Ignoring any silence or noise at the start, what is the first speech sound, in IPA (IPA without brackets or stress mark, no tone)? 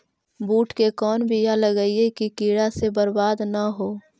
b